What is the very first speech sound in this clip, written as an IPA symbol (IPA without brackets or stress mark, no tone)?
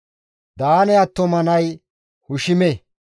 d̪